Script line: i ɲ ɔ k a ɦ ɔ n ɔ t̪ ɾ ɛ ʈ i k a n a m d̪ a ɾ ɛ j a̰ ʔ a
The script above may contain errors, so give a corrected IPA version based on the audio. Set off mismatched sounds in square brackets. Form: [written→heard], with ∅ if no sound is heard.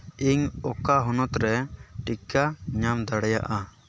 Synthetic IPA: i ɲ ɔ k a ɦ ɔ n ɔ t̪ ɾ ɛ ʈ i k a [n→ɲ] a m d̪ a [ɾ→ɽ] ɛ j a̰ ʔ a